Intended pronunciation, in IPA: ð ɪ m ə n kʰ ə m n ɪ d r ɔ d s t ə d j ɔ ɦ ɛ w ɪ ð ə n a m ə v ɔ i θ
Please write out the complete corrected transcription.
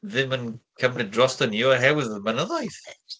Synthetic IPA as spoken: ð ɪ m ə n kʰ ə m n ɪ d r ɔ s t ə n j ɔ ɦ ɛ w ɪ ð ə m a n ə ð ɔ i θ